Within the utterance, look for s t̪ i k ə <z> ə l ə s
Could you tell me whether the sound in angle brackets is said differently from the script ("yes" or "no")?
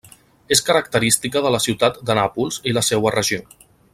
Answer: yes